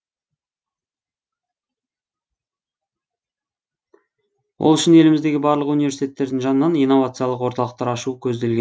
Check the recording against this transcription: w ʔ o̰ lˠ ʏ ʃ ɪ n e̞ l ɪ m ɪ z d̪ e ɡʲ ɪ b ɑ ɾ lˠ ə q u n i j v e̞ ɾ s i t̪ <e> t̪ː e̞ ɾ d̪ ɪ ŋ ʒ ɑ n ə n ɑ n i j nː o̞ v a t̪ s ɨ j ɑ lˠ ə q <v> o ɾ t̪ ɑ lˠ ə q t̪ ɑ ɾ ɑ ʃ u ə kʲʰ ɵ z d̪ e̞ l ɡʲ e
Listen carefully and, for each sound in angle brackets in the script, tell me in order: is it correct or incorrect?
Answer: correct, incorrect: w

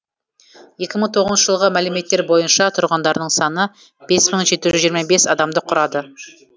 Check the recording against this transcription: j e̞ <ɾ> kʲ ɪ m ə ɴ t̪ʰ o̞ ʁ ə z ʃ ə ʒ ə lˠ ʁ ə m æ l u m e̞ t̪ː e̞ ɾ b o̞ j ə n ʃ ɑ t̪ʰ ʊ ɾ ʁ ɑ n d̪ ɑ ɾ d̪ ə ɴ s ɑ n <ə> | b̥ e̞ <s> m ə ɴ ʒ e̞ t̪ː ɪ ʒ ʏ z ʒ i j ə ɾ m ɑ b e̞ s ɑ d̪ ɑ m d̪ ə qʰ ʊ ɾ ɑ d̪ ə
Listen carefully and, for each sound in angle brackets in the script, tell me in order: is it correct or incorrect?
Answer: incorrect: none, correct, correct

